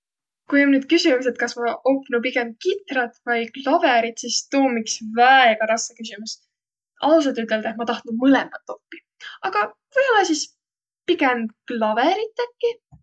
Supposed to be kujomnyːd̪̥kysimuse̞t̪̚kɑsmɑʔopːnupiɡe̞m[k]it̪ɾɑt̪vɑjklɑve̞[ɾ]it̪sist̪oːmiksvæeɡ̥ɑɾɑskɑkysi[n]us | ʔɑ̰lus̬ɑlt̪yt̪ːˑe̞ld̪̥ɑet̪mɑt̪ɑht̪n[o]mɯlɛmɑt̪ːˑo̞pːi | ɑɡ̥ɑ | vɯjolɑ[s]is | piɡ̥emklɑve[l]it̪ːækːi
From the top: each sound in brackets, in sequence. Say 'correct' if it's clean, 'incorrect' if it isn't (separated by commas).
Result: correct, correct, incorrect, incorrect, correct, incorrect